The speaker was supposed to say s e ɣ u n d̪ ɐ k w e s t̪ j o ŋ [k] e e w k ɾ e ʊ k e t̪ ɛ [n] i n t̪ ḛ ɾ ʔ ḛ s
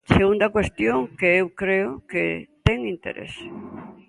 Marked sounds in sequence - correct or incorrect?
correct, incorrect: ŋ

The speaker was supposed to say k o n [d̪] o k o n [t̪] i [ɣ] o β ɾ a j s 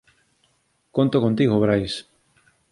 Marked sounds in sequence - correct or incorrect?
incorrect: t̪, correct, correct

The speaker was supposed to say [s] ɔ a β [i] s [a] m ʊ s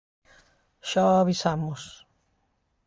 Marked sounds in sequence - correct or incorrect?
incorrect: ʃ, correct, correct

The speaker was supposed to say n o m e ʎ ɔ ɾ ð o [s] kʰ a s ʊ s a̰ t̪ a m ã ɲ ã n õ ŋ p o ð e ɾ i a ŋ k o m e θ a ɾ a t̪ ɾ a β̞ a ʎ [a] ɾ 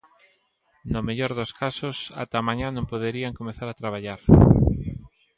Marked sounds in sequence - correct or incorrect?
correct, correct

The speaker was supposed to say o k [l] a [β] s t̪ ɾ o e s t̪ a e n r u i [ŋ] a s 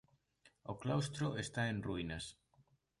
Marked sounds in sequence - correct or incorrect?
correct, incorrect: w, incorrect: n

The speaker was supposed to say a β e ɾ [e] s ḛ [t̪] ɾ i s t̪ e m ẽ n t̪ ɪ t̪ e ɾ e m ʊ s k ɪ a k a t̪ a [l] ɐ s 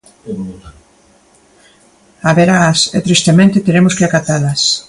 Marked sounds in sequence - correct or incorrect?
incorrect: a, correct, correct

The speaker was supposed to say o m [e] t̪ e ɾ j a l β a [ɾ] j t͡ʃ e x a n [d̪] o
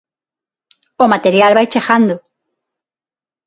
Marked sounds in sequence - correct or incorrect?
incorrect: a, incorrect: none, correct

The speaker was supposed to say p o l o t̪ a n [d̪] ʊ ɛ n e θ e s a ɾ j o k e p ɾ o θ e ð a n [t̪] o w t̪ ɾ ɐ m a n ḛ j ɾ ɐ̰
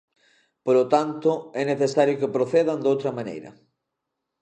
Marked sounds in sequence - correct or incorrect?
incorrect: t̪, incorrect: d̪

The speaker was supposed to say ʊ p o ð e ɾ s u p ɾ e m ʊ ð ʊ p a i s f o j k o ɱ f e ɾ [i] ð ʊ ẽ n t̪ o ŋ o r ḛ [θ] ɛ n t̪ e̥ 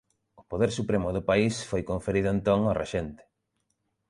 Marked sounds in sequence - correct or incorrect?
correct, incorrect: ʃ

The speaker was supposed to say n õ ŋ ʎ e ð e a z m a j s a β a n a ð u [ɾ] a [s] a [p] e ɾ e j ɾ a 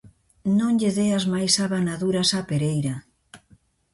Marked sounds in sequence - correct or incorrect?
correct, correct, correct

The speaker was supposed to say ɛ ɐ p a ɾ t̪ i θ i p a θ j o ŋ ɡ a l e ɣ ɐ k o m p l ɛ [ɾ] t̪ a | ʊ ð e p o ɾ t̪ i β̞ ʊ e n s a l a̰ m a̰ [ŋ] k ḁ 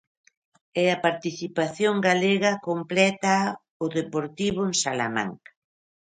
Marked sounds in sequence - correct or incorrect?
incorrect: none, correct

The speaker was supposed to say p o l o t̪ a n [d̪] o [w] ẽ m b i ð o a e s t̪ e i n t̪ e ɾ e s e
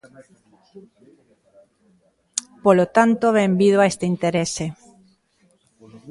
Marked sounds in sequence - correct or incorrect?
incorrect: t̪, incorrect: β

